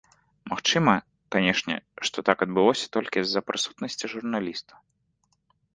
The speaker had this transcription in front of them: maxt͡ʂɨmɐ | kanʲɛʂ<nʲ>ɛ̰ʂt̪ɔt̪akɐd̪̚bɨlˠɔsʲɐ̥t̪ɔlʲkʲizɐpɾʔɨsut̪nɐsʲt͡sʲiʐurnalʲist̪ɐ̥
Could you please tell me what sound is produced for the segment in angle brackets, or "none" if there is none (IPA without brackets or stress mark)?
nʲ